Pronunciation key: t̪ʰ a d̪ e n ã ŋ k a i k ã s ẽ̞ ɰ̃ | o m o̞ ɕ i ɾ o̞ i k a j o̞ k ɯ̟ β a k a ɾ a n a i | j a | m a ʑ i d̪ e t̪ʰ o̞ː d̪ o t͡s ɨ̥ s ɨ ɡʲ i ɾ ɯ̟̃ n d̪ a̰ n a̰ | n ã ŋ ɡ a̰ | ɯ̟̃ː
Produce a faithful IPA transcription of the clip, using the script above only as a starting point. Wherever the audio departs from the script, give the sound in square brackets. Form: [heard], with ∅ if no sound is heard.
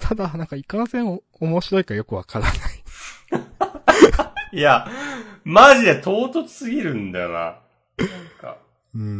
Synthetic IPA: t̪ʰ a d̪ [a] n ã ŋ k a i k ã s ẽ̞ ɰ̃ | o m o̞ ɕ i ɾ o̞ i k a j o̞ k ɯ̟ β a k a ɾ a n a i | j a | m a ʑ i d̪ e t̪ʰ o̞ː [t̪] o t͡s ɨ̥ s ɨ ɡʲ i ɾ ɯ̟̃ n d̪ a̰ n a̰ | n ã ŋ [k] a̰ | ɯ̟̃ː